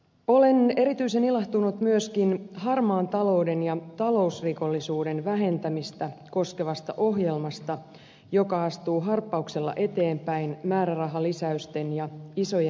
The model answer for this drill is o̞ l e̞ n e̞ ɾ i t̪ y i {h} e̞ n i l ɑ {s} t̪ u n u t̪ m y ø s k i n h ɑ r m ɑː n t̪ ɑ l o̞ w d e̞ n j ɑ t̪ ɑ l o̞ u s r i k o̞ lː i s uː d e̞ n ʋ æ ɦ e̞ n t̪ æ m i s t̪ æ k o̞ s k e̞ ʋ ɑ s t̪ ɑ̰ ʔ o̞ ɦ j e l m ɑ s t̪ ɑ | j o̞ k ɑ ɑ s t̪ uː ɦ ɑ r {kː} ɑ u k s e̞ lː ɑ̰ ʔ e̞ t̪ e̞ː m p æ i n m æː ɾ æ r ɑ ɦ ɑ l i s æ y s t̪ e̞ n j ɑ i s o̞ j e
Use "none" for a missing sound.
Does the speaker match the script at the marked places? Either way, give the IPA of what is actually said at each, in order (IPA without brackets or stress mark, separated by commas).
s, h, pː